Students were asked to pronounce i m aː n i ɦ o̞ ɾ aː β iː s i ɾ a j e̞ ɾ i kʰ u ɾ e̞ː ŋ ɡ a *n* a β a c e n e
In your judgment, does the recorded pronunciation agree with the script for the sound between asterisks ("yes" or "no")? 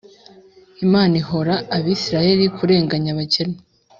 no